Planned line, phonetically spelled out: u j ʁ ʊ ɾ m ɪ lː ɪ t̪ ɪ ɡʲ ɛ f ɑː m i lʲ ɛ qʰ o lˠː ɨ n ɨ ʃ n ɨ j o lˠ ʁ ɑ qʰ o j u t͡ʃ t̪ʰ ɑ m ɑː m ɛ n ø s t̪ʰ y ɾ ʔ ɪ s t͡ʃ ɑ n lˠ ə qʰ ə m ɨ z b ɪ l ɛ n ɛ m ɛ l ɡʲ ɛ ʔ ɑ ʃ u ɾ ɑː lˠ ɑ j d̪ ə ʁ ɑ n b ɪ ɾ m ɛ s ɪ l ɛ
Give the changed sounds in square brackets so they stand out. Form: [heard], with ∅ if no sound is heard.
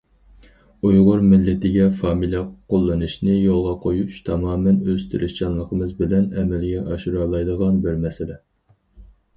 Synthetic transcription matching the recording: u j ʁ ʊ ɾ m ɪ lː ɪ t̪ ɪ ɡʲ ɛ f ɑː m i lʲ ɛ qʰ o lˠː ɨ n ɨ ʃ n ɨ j o lˠ ʁ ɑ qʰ o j u t͡ʃ t̪ʰ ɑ m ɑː m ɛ n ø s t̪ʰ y ɾ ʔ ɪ [ʃ] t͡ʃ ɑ n lˠ ə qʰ ə m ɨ z b ɪ l ɛ n ɛ m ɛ l ɡʲ ɛ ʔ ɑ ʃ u ɾ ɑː lˠ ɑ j d̪ ə ʁ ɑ n b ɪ ɾ m ɛ s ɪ l ɛ